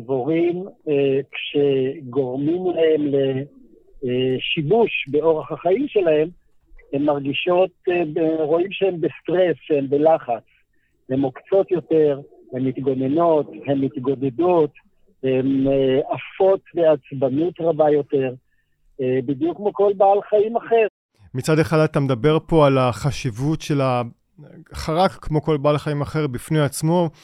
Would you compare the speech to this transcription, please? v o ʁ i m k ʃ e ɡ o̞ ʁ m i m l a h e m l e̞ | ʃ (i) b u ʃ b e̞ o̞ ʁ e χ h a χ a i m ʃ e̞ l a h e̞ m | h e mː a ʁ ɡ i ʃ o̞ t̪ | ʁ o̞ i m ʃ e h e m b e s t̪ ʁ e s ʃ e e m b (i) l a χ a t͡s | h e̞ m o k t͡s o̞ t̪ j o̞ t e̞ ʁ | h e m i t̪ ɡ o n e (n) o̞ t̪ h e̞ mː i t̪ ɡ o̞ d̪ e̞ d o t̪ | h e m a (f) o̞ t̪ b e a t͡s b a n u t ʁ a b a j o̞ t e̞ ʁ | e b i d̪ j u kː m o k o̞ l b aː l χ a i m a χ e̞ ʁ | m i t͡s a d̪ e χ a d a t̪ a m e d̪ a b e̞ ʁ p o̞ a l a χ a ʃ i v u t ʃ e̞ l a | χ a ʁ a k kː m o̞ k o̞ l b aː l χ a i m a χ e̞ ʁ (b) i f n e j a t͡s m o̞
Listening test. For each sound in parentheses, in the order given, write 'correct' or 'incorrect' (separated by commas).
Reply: correct, incorrect, correct, correct, correct